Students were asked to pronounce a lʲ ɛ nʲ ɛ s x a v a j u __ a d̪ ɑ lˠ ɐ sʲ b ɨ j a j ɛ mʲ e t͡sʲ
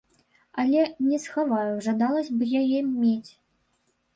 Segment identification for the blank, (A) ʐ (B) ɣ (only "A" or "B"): A